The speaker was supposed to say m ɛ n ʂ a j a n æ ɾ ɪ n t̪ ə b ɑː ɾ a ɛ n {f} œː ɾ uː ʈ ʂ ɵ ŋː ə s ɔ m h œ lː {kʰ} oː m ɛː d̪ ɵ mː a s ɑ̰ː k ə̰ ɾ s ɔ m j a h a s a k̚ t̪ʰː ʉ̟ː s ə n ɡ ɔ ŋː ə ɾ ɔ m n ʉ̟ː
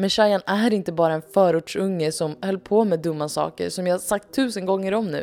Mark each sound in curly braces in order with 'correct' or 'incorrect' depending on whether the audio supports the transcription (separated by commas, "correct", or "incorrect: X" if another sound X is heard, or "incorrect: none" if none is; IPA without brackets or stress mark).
correct, incorrect: pʰ